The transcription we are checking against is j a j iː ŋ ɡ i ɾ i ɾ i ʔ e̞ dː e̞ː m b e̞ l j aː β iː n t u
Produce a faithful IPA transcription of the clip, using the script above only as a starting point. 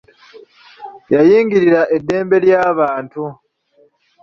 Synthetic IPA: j a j iː ŋ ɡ i ɾ i ɾ a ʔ e̞ dː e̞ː m b e̞ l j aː β aː n t u